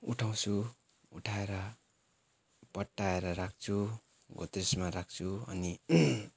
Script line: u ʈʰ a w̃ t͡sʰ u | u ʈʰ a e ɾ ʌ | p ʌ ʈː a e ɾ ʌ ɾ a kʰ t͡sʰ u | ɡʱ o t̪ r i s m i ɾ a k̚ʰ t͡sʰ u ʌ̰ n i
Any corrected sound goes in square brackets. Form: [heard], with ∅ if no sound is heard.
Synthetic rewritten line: u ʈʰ a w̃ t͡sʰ u | u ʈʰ a e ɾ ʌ | p ʌ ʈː a e ɾ ʌ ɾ a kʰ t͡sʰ u | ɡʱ o t̪ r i s m [a] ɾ a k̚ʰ t͡sʰ u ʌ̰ n i